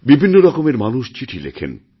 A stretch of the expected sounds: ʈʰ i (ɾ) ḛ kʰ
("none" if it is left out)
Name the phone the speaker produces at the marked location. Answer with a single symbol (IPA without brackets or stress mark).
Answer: l